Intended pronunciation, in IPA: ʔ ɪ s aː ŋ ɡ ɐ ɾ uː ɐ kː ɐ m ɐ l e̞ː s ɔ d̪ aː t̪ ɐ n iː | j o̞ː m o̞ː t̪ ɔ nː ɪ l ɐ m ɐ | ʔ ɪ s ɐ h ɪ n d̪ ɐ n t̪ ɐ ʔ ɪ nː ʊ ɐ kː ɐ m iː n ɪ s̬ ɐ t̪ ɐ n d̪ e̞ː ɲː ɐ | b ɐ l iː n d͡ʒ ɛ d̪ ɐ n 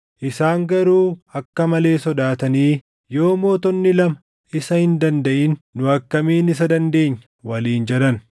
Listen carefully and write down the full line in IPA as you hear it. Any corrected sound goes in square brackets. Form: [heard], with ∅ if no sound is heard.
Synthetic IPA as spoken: ʔ ɪ s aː ŋ ɡ ɐ ɾ uː ɐ kː ɐ m ɐ l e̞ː s ɔ d̪ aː t̪ ɐ n iː | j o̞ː m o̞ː t̪ ɔ nː ɪ l ɐ m ɐ | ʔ ɪ s ɐ h ɪ n d̪ ɐ n [d̪] ɐ ʔ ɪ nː ʊ ɐ kː ɐ m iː n ɪ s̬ ɐ [d̪] ɐ n d̪ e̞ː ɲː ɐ | [w] ɐ l iː n d͡ʒ ɛ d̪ ɐ n

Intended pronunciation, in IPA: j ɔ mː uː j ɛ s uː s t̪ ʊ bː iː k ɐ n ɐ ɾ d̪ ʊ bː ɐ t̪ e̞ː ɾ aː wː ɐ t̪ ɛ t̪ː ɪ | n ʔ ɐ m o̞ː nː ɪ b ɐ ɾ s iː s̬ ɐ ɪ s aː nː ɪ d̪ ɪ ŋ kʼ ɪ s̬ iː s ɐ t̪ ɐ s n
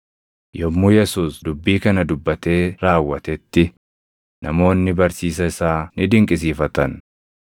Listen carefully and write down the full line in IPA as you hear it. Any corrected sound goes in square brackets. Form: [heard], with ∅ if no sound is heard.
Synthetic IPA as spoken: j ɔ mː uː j ɛ s uː s [d̪] ʊ bː iː k ɐ n ɐ [∅] d̪ ʊ bː ɐ t̪ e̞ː ɾ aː wː ɐ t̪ ɛ t̪ː ɪ | n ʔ ɐ m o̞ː nː ɪ b ɐ ɾ s iː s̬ ɐ ɪ s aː [n] ɪ d̪ ɪ ŋ kʼ ɪ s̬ iː [f] ɐ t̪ ɐ [∅] n

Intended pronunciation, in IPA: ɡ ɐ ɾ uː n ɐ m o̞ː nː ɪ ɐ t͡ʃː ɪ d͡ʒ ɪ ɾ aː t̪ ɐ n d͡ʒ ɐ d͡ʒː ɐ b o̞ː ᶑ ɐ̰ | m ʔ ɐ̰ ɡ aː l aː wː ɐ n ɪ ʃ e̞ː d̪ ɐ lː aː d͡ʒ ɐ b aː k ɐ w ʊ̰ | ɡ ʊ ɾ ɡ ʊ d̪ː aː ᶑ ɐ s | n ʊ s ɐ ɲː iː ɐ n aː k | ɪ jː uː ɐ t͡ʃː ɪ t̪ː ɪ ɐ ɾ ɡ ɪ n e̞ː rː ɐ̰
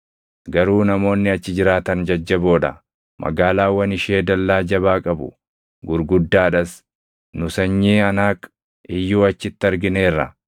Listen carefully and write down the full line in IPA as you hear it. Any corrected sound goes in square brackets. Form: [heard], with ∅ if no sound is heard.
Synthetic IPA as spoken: ɡ ɐ ɾ uː n ɐ m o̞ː nː ɪ ɐ t͡ʃː ɪ d͡ʒ ɪ ɾ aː t̪ ɐ n d͡ʒ ɐ d͡ʒː ɐ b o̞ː ᶑ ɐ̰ | m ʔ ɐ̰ ɡ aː l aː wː ɐ n ɪ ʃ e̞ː d̪ ɐ lː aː d͡ʒ ɐ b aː [kʼ] ɐ [b] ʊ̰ | ɡ ʊ ɾ ɡ ʊ d̪ː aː ᶑ ɐ s | n ʊ s ɐ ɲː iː ɐ n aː k | ɪ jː uː ɐ t͡ʃː ɪ t̪ː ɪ ɐ ɾ ɡ ɪ n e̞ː rː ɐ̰

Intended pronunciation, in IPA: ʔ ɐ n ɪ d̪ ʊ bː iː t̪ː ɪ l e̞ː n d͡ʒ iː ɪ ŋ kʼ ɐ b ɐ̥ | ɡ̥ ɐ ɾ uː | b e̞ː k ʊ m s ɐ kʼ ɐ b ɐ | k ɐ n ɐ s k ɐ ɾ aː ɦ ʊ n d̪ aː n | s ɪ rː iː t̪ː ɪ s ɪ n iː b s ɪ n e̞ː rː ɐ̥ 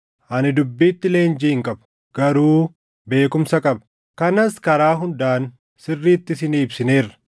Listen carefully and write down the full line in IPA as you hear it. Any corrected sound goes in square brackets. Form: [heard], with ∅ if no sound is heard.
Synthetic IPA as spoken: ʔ ɐ n ɪ d̪ ʊ bː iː t̪ː ɪ l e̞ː n d͡ʒ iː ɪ ŋ kʼ ɐ b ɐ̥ | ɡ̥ ɐ ɾ uː | b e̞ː k ʊ m s ɐ kʼ ɐ b ɐ | k ɐ n ɐ s k ɐ ɾ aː ɦ ʊ n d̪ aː n | s ɪ rː iː t̪ː ɪ s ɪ n iː b s ɪ n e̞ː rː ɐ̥

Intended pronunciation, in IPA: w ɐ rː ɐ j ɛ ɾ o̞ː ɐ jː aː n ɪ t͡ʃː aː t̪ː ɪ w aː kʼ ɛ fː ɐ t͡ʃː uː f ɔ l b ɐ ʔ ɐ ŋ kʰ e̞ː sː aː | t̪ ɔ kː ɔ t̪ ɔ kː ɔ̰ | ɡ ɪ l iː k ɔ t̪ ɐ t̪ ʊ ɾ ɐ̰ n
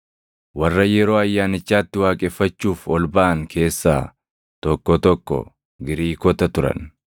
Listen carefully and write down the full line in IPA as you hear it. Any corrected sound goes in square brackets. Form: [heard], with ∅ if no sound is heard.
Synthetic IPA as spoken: w ɐ rː ɐ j ɛ ɾ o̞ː ɐ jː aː n ɪ t͡ʃː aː t̪ː ɪ w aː kʼ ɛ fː ɐ t͡ʃː uː f ɔ l b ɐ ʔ ɐ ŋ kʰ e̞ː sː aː | t̪ ɔ kː ɔ t̪ ɔ kː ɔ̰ | ɡ ɪ [ɾ] iː k ɔ t̪ ɐ t̪ ʊ ɾ ɐ̰ n

